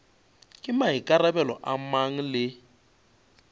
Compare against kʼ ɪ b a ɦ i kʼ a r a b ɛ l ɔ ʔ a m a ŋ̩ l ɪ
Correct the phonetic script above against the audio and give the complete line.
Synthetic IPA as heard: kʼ ɪ m a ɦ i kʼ a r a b ɛ l ɔ ʔ a m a ŋ̩ l ɪ